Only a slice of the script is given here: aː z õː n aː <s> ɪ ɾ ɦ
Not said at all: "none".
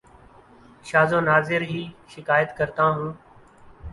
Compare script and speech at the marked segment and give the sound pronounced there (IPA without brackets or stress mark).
z